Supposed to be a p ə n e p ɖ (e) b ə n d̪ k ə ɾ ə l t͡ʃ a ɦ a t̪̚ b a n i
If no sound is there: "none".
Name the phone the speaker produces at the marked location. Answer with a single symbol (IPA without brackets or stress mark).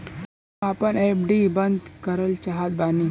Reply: i